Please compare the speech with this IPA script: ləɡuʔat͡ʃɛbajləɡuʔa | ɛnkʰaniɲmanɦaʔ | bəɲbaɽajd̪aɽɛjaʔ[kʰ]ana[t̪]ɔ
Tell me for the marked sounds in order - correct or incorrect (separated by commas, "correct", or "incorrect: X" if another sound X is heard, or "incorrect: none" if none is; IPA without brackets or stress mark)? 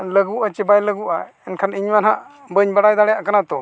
incorrect: k, correct